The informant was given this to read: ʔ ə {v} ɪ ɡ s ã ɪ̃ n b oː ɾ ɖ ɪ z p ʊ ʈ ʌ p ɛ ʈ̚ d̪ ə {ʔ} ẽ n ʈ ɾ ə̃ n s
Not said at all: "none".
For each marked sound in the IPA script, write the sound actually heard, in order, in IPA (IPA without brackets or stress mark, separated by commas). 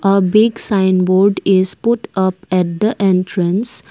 b, ʔ